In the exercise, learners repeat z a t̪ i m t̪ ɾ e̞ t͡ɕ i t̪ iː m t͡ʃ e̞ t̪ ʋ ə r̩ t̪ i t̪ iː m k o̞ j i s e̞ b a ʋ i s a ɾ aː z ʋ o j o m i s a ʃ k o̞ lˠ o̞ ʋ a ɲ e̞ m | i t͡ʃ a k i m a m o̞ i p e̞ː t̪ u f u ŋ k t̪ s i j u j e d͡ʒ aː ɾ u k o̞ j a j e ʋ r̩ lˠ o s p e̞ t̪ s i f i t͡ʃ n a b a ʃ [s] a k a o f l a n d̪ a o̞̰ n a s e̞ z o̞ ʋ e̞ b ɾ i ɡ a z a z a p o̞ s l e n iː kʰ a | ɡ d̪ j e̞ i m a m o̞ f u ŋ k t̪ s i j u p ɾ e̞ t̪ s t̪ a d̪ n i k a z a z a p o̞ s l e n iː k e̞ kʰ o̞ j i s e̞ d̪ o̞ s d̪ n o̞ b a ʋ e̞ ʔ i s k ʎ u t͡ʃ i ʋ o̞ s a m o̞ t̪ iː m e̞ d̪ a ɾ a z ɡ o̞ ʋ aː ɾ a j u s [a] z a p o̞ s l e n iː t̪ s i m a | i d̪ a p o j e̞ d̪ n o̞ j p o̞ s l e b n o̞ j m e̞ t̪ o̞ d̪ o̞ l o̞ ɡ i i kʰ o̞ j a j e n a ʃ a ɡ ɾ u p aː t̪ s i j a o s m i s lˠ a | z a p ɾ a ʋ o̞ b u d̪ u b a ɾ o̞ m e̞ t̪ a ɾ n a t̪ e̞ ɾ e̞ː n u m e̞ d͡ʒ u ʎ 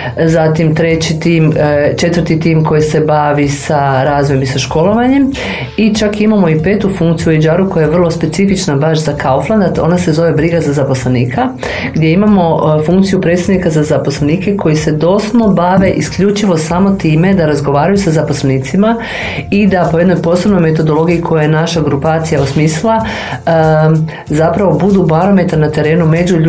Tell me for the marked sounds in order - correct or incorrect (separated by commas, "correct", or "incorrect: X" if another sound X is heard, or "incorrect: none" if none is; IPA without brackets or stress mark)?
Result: incorrect: z, correct